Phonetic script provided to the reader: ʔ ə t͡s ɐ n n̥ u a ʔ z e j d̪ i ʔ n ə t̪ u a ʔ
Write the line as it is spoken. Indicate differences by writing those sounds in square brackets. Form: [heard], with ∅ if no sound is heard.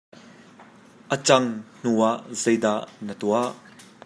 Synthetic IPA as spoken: ʔ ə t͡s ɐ [ŋ] n̥ u a ʔ z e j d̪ [a] ʔ n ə t̪ u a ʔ